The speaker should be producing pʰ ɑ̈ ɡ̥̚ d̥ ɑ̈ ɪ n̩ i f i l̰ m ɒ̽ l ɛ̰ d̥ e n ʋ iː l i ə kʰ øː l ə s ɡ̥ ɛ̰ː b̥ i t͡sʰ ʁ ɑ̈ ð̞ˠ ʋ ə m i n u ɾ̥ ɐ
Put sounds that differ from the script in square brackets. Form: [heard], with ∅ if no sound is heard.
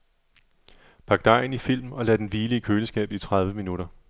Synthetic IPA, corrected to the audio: pʰ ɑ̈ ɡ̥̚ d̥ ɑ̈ ɪ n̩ i f i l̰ m ɒ̽ l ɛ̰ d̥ e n ʋ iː l i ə kʰ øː l ə s ɡ̥ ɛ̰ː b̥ i t͡sʰ ʁ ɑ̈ ð̞ˠ ʋ ə m i n u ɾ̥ ɐ